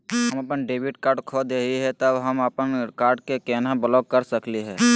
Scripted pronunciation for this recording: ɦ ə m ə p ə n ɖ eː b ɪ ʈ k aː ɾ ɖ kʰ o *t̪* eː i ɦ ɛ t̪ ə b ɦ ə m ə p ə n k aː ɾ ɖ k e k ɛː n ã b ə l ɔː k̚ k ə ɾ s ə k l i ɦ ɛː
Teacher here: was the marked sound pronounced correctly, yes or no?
no